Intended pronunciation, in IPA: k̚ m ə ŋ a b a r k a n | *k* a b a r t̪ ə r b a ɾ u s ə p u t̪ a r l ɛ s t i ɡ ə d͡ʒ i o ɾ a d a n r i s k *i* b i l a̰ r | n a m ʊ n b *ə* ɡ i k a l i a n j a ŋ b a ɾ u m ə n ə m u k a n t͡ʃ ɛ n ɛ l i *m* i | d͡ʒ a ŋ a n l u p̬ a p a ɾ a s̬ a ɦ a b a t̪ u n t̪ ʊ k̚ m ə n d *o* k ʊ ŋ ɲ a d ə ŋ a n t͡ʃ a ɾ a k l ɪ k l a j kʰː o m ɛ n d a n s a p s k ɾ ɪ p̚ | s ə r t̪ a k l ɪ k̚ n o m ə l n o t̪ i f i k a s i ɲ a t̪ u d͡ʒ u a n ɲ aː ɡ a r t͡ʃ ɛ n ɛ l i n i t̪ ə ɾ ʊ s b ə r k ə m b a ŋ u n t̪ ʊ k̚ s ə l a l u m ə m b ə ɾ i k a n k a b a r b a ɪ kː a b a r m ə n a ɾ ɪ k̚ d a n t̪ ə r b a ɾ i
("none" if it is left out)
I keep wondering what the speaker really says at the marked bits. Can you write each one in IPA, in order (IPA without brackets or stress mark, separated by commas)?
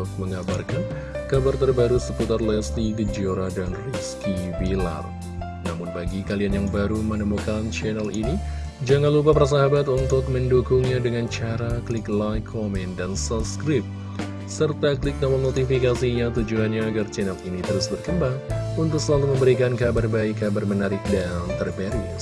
k, i, a, n, u